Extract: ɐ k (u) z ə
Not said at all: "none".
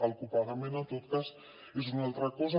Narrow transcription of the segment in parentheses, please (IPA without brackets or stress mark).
ɔ